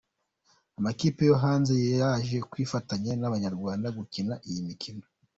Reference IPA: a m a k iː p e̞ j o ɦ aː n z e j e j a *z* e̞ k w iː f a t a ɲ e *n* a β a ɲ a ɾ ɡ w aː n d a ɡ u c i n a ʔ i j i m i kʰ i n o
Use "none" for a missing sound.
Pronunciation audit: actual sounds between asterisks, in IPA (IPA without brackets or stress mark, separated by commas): ʒ, n